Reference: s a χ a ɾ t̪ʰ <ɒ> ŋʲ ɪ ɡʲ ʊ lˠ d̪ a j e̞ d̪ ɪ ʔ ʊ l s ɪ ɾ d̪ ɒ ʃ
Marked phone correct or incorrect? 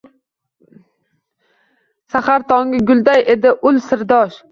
correct